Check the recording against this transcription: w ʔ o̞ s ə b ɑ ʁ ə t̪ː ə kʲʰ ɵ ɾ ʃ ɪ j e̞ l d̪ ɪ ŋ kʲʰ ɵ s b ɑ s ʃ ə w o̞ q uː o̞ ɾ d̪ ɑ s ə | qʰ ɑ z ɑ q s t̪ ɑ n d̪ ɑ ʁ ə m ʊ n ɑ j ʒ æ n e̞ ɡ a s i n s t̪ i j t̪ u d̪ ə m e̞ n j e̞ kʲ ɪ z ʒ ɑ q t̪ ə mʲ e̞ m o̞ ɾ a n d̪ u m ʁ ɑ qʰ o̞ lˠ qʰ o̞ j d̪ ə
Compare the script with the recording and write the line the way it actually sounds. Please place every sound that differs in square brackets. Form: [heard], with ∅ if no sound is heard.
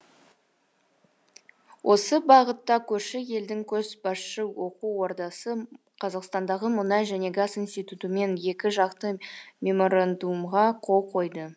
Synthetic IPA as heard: w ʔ o̞ s ə b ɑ ʁ ə t̪ː [ɑ] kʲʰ ɵ ɾ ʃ ɪ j e̞ l d̪ ɪ ŋ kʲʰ ɵ [z] b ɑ s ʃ ə w o̞ q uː o̞ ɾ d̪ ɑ s ə | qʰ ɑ z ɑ q s t̪ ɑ n d̪ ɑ ʁ ə m ʊ n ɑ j ʒ æ n e̞ ɡ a s i n s t̪ i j t̪ u [t̪] ə m e̞ n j e̞ kʲ ɪ [∅] ʒ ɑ q t̪ ə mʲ e̞ m o̞ ɾ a n d̪ u m ʁ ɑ qʰ o̞ lˠ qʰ o̞ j d̪ ə

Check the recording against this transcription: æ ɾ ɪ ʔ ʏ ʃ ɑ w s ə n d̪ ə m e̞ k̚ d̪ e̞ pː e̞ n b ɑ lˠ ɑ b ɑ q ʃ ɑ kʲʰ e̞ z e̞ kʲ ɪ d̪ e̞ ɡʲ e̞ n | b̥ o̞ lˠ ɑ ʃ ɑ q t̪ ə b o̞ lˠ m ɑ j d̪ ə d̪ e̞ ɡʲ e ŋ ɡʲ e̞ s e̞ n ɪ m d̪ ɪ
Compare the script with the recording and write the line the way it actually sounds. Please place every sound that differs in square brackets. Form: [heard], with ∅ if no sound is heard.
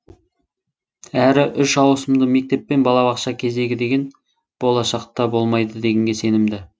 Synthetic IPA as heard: æ ɾ ɪ ʔ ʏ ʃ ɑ w s ə [m] d̪ ə m e̞ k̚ [t̪] e̞ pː e̞ n b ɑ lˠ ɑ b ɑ q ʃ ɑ kʲʰ e̞ z e̞ [ɡʲ] ɪ d̪ e̞ ɡʲ e̞ n | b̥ o̞ lˠ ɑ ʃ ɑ q t̪ [ɑ] b o̞ lˠ m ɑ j d̪ ə d̪ e̞ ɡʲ e ŋ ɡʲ e̞ s e̞ n ɪ m d̪ ɪ

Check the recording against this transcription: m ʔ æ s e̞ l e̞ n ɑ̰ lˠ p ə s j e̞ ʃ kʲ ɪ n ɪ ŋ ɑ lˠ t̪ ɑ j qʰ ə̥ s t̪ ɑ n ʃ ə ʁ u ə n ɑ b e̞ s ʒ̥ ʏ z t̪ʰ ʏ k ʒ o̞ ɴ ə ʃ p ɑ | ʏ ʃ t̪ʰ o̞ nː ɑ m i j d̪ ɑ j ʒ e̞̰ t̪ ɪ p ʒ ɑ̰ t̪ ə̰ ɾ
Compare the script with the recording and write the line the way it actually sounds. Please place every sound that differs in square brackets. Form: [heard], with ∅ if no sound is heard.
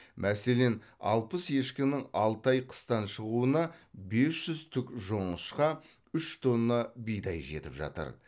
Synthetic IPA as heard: m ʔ æ s e̞ l e̞ n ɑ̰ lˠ p ə s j e̞ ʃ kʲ ɪ n ɪ ŋ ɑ lˠ t̪ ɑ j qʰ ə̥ s t̪ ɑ n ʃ ə ʁ u ə n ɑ b e̞ s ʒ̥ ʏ z t̪ʰ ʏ k ʒ o̞ ɴ ə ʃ [q] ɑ | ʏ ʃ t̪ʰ o̞ nː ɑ [b] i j d̪ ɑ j ʒ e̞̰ t̪ ɪ p ʒ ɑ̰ t̪ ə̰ ɾ

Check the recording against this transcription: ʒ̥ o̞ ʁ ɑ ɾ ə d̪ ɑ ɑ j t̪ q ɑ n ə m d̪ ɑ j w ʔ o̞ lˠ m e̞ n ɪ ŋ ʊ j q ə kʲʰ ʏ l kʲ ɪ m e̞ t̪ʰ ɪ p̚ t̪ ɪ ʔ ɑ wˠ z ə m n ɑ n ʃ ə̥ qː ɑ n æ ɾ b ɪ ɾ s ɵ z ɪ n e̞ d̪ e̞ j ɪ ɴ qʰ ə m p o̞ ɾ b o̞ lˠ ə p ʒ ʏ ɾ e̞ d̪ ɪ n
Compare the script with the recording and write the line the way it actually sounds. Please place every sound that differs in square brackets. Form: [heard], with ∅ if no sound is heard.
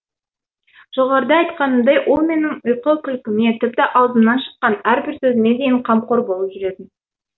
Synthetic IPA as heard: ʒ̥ o̞ ʁ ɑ ɾ ə d̪ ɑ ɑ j t̪ q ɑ n ə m d̪ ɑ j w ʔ o̞ lˠ m e̞ n ɪ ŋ ʊ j q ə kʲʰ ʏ l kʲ ɪ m e̞ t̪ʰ ɪ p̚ t̪ ɪ ʔ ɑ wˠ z ə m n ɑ n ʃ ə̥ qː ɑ n æ ɾ b ɪ ɾ s ɵ z ɪ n e̞ d̪ e̞ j ɪ ɴ qʰ [ɑ] m [q] o̞ ɾ b o̞ lˠ ə p ʒ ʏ ɾ e̞ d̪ ɪ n

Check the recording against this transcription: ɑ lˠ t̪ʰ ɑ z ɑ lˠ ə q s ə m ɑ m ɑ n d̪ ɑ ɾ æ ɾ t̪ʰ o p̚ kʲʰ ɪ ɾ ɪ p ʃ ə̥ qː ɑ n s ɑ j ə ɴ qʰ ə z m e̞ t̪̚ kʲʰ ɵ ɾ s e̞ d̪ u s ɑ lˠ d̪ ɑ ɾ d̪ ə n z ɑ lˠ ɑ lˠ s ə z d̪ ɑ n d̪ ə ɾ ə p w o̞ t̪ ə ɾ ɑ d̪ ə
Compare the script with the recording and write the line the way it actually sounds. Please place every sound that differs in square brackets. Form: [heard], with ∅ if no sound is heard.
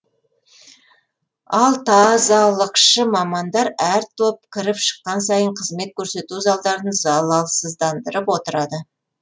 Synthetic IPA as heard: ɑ lˠ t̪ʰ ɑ z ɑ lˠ ə q [ʃ] ə m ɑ m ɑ n d̪ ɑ ɾ æ ɾ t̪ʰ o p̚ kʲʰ ɪ ɾ ɪ p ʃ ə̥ qː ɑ n s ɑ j ə ɴ qʰ ə z m e̞ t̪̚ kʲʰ ɵ ɾ s e̞ [t̪] u [z] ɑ lˠ d̪ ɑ ɾ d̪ ə n z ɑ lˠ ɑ lˠ s ə z d̪ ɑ n d̪ ə ɾ ə p w o̞ t̪ ə ɾ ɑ d̪ ə

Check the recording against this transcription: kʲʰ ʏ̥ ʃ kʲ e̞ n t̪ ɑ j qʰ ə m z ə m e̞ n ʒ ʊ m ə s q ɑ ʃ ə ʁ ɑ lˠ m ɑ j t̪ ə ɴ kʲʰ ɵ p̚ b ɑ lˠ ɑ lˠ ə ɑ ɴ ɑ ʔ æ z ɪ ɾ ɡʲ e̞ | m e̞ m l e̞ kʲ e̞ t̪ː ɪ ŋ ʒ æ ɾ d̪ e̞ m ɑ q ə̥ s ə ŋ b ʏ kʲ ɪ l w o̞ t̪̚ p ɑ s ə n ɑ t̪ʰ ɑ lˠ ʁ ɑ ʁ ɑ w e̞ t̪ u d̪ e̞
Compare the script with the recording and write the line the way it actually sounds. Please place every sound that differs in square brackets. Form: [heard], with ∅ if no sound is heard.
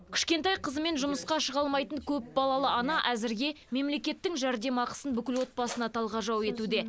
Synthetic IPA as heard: kʲʰ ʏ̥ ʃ kʲ e̞ n t̪ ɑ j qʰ ə [∅] z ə m e̞ n ʒ ʊ m ə s q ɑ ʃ ə ʁ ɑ lˠ m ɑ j t̪ ə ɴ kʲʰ ɵ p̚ b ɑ lˠ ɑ lˠ ə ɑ [n] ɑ ʔ æ z ɪ ɾ ɡʲ e̞ | m e̞ m l e̞ kʲ e̞ t̪ː ɪ ŋ ʒ æ ɾ d̪ e̞ m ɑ q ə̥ s ə [n] b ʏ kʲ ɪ l w o̞ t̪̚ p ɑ s ə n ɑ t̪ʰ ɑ lˠ ʁ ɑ [ʒ] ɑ w e̞ t̪ u d̪ e̞

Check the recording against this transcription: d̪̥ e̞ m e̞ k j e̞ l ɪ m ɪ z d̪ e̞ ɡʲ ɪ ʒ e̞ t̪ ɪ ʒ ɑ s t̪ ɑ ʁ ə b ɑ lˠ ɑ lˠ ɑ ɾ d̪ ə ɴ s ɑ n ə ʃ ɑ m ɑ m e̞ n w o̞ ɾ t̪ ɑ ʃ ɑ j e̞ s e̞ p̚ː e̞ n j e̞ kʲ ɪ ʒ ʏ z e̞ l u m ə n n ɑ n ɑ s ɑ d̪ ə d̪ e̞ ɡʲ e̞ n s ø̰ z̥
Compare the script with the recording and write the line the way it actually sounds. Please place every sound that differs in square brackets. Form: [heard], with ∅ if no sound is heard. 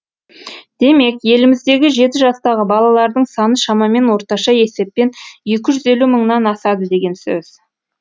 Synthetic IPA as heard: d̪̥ e̞ m e̞ k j e̞ l ɪ m ɪ z d̪ e̞ ɡʲ ɪ ʒ e̞ t̪ ɪ ʒ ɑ s t̪ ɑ ʁ ə b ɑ lˠ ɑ lˠ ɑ ɾ d̪ ə ɴ s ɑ n ə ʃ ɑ m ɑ m e̞ n w o̞ ɾ t̪ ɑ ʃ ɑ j e̞ s e̞ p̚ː e̞ n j e̞ kʲ ɪ ʒ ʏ z e̞ l u m ə [ɴ] n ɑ n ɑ s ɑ d̪ ə d̪ e̞ ɡʲ e̞ n s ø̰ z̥

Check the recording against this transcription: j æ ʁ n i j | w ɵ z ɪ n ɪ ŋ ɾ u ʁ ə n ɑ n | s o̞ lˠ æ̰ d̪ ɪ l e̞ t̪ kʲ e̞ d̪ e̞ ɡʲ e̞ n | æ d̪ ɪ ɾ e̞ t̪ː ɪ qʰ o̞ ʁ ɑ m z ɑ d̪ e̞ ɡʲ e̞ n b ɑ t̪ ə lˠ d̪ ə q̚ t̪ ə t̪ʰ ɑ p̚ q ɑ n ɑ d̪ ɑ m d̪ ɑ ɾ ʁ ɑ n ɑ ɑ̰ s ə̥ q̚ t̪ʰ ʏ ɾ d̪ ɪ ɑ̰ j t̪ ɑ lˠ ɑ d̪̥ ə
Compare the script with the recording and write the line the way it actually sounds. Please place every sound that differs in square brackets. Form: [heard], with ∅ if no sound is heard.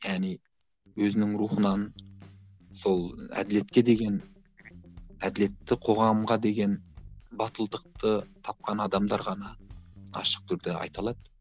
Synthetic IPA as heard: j æ ʁ n i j | w ɵ z ɪ n ɪ ŋ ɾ u [χ] ə n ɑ n | s o̞ lˠ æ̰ d̪ ɪ l e̞ t̪ kʲ e̞ d̪ e̞ ɡʲ e̞ n | æ d̪ ɪ [l] e̞ t̪ː ɪ qʰ o̞ ʁ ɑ m [ʁ] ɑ d̪ e̞ ɡʲ e̞ n b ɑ t̪ ə lˠ d̪ ə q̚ t̪ ə t̪ʰ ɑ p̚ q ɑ n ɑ d̪ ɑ m d̪ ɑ ɾ ʁ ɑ n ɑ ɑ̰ [ʃ] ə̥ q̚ t̪ʰ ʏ ɾ d̪ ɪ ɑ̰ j t̪ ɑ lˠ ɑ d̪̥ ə

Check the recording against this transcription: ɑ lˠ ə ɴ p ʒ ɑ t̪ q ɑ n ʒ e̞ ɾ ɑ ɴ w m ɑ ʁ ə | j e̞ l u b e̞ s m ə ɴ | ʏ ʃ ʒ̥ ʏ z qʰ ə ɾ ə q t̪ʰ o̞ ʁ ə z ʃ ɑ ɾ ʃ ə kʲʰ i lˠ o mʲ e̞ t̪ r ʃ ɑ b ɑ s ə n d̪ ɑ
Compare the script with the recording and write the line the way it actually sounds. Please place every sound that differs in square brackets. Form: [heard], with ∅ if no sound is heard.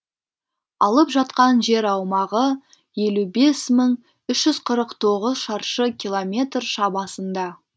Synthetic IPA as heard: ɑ lˠ ə [∅] p ʒ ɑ t̪ q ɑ n ʒ e̞ ɾ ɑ [∅] w m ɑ ʁ ə | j e̞ l u b e̞ s m ə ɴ | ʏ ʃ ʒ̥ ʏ z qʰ ə ɾ ə q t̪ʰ o̞ ʁ ə z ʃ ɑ ɾ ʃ ə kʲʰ i lˠ o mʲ e̞ t̪ r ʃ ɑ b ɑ s ə n d̪ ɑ

